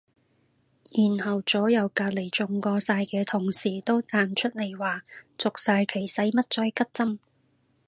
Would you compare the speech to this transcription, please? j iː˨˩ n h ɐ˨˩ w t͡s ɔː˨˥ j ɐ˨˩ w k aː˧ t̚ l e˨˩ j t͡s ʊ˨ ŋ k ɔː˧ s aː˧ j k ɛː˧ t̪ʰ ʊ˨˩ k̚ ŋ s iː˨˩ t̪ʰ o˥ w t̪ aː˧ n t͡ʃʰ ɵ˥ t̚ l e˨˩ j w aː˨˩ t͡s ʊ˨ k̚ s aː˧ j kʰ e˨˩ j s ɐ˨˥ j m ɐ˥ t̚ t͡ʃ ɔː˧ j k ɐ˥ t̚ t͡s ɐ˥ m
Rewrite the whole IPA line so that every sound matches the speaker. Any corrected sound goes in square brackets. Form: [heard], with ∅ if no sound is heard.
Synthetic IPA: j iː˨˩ n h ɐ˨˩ w t͡s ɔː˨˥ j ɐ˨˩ w k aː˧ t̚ l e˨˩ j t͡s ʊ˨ ŋ k ɔː˧ s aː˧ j k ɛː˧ t̪ʰ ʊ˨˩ [∅] ŋ s iː˨˩ [t̪] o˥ w t̪ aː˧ n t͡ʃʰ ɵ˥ t̚ l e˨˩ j w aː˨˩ t͡s ʊ˨ k̚ s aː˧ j kʰ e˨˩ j s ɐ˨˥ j m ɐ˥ t̚ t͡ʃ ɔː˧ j k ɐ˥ t̚ t͡s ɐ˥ m

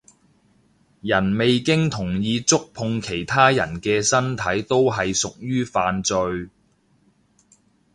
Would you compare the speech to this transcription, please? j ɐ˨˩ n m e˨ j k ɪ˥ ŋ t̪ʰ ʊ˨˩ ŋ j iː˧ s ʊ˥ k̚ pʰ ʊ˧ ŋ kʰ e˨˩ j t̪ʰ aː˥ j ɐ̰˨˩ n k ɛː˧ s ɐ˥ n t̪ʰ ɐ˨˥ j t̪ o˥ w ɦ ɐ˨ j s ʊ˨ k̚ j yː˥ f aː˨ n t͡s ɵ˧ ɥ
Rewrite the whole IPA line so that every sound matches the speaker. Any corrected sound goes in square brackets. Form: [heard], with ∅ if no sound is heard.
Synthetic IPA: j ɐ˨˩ n m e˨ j k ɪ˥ ŋ t̪ʰ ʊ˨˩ ŋ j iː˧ [t͡s] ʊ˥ k̚ pʰ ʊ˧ ŋ kʰ e˨˩ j t̪ʰ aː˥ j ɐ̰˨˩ n k ɛː˧ s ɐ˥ n t̪ʰ ɐ˨˥ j t̪ o˥ w ɦ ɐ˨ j s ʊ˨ k̚ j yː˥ f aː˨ n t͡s ɵ˧ ɥ

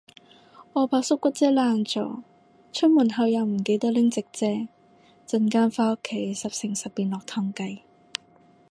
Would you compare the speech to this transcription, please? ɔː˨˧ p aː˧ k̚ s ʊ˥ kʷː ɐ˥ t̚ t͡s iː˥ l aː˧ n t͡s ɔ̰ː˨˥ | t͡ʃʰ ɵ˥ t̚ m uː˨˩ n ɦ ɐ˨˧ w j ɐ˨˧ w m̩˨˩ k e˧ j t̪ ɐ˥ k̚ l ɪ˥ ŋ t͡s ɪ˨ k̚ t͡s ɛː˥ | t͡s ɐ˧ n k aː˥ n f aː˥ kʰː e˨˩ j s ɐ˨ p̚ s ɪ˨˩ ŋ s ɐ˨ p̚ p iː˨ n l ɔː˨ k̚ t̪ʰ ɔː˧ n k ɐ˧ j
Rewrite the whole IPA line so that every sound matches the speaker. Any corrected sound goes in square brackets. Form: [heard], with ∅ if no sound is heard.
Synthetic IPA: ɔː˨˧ p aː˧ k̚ s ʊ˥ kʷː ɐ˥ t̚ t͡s [ɛː˥] l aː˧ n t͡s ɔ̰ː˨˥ | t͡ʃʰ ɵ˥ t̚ m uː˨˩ n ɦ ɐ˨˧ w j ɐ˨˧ w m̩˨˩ k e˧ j t̪ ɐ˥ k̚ l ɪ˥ ŋ t͡s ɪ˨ k̚ t͡s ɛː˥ | t͡s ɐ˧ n k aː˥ n f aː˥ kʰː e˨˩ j s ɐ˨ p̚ s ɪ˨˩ ŋ s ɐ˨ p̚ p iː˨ n l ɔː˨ k̚ t̪ʰ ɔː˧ [ŋ] k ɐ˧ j

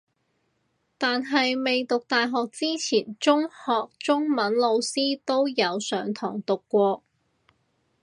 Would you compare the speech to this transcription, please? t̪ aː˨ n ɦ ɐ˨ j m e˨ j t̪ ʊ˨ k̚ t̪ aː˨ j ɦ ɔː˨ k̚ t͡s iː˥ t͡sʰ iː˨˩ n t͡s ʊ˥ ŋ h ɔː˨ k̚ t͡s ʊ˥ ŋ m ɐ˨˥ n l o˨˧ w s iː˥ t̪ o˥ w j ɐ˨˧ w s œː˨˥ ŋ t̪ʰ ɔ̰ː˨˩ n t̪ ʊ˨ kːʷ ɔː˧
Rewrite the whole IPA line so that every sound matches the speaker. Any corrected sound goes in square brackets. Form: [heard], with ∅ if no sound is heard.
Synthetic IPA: t̪ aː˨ n ɦ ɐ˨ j m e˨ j t̪ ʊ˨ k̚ t̪ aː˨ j ɦ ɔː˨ k̚ t͡s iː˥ t͡sʰ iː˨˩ n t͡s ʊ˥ ŋ h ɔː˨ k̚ t͡s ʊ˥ ŋ m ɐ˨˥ n l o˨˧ w s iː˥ t̪ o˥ w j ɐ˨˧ w s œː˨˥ ŋ t̪ʰ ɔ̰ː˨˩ [ŋ] t̪ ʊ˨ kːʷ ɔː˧

